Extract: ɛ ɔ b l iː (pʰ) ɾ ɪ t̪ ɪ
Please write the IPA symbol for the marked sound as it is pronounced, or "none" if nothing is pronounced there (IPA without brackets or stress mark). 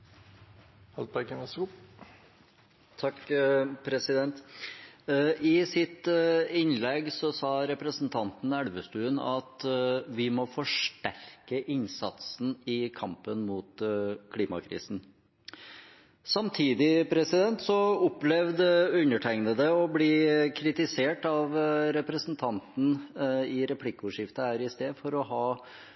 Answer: kʰ